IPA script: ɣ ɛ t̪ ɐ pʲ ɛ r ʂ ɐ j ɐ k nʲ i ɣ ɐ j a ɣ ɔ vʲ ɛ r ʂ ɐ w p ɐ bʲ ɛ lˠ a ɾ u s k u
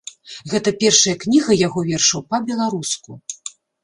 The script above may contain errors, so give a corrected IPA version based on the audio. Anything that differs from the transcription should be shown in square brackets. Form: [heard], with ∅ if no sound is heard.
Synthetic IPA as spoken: ɣ ɛ t̪ ɐ pʲ ɛ r ʂ ɐ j ɐ k nʲ i ɣ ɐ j a ɣ ɔ vʲ ɛ r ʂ ɐ w p ɐ bʲ ɛ lˠ a ɾ u s k u